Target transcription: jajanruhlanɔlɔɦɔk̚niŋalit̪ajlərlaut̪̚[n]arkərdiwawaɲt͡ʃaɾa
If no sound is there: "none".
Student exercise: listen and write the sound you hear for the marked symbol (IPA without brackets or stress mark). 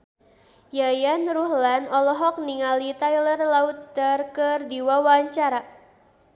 d